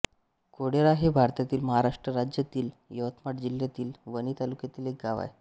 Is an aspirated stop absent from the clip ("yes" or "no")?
yes